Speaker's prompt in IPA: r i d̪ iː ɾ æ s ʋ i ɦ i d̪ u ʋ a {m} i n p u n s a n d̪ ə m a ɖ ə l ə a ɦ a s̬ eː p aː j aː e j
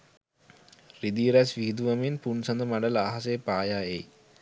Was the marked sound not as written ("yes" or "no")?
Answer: no